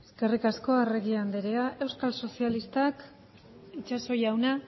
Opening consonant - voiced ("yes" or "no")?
no